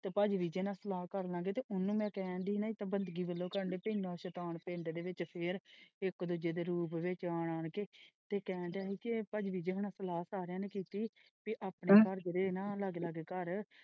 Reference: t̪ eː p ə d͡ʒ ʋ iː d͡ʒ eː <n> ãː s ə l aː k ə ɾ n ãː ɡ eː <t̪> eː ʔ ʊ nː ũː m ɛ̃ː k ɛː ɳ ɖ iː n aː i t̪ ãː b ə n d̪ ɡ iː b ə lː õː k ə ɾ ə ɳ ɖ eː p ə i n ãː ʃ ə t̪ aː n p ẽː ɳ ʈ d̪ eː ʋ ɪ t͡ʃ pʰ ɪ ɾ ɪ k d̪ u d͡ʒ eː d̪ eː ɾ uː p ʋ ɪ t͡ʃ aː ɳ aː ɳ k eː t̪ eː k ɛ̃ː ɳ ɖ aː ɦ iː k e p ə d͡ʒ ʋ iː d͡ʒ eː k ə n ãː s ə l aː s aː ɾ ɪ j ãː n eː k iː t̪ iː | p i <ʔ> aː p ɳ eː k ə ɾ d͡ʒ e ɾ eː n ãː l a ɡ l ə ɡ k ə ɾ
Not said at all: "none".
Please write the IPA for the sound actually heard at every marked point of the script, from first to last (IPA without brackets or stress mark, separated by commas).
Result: n, t̪, ʔ